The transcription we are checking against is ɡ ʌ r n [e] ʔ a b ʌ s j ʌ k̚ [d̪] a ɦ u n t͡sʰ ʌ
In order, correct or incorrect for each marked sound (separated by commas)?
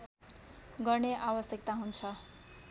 correct, incorrect